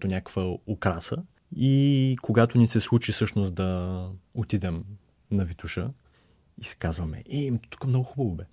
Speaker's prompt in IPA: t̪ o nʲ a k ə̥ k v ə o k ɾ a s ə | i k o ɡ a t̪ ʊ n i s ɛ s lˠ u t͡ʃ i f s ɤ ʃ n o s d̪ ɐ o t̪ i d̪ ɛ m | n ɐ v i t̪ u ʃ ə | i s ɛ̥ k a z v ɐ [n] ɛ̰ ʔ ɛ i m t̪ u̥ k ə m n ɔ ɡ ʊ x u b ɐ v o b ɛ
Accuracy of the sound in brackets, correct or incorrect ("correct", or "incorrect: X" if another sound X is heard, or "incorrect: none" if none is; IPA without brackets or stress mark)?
incorrect: m